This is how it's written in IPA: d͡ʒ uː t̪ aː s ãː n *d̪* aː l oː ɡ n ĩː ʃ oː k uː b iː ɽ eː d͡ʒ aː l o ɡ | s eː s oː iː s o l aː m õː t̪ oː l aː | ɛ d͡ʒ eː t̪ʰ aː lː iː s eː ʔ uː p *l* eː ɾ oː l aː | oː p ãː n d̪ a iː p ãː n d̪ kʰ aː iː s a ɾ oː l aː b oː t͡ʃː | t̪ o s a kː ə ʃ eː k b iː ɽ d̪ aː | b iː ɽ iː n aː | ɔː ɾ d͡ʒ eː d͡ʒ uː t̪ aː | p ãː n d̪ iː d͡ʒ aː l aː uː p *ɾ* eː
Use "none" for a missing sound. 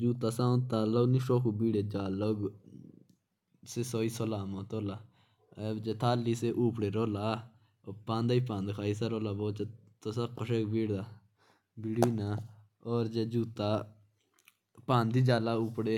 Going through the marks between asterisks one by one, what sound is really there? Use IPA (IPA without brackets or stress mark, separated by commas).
t̪, ɽ, ɽ